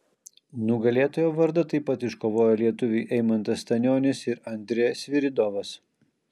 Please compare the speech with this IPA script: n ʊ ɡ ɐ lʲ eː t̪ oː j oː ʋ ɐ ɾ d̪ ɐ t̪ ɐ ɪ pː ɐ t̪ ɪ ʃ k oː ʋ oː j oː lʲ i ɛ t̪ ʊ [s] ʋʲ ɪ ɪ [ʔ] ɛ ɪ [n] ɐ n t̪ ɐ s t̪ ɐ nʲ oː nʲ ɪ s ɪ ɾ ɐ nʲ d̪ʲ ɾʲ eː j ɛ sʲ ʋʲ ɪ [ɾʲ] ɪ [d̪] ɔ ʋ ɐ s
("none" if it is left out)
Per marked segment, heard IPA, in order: none, ʔ, m, ɾʲ, d̪

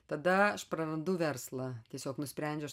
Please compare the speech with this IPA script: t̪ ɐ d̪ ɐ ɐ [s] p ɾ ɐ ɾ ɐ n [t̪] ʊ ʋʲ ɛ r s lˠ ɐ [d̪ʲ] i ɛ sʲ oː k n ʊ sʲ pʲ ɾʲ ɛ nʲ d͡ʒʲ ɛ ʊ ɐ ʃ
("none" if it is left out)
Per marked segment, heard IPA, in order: ʃ, d̪, t̪ʲ

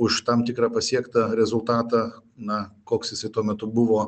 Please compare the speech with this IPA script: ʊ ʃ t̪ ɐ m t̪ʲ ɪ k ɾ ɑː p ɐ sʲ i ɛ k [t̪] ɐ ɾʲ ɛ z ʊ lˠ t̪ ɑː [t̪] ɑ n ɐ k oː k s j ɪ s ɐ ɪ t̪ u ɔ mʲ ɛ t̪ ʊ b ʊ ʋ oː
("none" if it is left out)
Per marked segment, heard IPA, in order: t̪, t̪

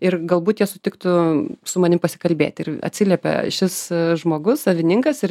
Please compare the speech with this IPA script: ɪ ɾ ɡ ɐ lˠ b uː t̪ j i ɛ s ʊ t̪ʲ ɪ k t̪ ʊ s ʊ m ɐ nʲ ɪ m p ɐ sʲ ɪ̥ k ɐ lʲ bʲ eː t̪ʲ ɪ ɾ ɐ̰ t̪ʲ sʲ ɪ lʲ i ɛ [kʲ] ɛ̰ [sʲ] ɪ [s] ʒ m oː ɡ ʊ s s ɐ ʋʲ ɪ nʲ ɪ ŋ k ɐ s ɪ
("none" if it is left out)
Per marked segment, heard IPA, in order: pʲ, ʃʲ, s

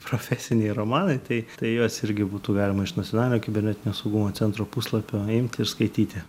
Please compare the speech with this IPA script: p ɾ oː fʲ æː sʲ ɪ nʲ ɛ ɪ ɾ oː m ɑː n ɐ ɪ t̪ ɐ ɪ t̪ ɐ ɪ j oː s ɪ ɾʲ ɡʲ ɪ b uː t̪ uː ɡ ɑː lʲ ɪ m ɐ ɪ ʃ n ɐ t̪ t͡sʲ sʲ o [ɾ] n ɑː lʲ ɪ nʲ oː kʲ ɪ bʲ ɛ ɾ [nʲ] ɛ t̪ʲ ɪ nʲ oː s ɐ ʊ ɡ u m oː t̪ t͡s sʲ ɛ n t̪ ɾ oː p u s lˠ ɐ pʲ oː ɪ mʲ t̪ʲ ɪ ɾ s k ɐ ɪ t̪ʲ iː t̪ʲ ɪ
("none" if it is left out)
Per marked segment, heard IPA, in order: none, nʲ

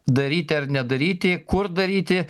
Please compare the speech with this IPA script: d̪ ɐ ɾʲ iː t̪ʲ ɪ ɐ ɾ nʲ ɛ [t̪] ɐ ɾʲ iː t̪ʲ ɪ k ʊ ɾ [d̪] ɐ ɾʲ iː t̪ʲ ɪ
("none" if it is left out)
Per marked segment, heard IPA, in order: d̪, d̪

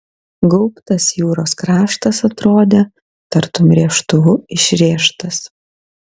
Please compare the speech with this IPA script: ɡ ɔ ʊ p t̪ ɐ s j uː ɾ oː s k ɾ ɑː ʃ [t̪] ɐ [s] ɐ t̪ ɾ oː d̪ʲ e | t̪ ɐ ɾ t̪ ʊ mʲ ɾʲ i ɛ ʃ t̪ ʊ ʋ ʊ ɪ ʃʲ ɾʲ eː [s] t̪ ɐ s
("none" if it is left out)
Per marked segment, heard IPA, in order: t̪, s, ʃ

